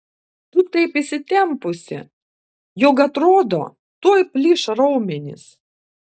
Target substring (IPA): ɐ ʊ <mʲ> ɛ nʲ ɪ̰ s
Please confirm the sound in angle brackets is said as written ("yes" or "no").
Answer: yes